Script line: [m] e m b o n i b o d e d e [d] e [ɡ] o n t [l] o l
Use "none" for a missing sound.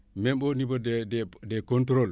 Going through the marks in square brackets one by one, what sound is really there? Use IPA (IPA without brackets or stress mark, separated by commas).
m, d, k, ɾ